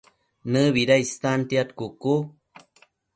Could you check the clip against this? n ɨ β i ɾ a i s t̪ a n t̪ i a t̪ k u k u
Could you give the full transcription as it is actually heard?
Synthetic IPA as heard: n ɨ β i ɾ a i s t̪ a n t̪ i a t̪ k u k u